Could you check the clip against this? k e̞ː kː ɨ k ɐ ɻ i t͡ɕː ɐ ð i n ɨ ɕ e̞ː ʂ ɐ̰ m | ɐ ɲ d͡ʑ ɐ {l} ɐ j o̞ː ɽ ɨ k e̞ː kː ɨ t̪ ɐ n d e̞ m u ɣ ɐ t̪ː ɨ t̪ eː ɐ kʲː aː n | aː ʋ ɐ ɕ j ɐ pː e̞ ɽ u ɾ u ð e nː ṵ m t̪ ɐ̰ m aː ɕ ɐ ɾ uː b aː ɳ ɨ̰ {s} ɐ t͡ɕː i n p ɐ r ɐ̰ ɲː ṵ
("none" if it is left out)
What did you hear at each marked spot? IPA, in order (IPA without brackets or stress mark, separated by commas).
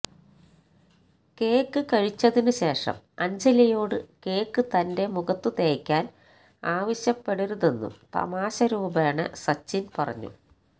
l, s